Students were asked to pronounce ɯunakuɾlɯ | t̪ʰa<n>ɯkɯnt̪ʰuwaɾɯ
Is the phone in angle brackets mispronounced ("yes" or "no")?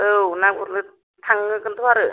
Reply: yes